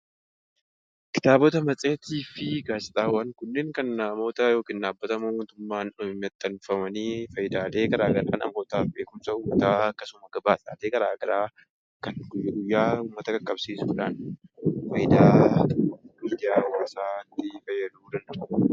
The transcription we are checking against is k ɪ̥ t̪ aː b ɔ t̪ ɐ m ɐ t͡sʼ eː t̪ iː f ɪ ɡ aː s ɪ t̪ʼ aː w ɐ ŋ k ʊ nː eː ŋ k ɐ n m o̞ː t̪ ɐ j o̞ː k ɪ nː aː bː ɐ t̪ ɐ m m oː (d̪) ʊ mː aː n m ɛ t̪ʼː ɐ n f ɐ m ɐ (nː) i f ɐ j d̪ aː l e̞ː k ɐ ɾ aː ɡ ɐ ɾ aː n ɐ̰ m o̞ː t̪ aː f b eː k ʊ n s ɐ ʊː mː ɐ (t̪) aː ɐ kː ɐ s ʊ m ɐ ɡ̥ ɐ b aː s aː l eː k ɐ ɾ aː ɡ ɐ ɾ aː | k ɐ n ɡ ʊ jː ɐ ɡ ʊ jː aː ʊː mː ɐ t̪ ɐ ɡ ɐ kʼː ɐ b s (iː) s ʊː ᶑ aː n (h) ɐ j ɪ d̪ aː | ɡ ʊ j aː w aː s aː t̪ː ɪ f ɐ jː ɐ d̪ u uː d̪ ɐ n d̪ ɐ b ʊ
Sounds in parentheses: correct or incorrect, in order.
incorrect, incorrect, correct, correct, incorrect

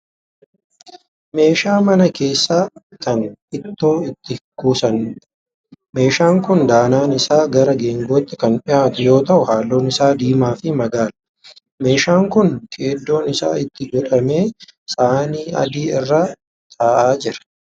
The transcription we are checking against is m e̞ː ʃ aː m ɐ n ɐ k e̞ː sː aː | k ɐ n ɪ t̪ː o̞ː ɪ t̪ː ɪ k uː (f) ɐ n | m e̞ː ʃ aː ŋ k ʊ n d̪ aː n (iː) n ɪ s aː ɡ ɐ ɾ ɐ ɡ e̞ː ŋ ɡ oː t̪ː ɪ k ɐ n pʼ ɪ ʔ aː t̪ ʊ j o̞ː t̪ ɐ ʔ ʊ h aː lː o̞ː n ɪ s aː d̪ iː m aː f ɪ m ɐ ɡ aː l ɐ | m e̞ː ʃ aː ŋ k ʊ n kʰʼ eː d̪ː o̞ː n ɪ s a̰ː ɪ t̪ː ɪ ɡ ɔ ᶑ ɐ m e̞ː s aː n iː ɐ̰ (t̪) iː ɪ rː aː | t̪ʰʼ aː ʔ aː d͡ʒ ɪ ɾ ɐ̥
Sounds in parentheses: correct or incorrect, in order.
incorrect, incorrect, incorrect

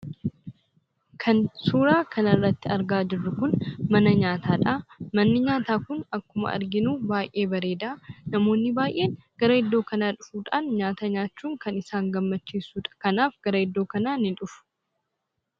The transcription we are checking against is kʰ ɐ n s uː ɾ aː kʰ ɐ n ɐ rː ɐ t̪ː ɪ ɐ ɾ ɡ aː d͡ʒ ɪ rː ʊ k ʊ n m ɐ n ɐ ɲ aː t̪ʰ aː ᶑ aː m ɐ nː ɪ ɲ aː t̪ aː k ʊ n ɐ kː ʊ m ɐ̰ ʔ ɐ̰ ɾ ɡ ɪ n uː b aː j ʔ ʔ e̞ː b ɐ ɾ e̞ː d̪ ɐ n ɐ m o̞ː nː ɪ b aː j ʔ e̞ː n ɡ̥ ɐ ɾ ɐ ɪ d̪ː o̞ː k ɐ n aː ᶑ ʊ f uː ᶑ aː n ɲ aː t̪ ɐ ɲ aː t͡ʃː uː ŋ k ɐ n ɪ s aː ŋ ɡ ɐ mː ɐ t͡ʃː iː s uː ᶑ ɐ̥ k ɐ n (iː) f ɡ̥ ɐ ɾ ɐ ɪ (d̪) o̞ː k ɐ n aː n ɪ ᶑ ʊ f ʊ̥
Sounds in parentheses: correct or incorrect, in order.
incorrect, incorrect

